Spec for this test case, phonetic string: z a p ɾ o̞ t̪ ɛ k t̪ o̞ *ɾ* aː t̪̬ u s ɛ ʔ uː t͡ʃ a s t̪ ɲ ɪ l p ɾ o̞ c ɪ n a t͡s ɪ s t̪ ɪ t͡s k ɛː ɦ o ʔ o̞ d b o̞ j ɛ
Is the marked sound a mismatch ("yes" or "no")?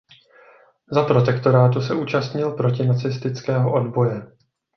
no